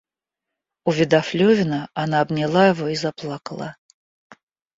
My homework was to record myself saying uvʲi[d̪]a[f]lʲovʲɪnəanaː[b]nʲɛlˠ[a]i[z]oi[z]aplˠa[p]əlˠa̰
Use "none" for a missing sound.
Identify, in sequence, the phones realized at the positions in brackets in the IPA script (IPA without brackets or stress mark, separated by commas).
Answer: d̪, f, b, a, v, z, k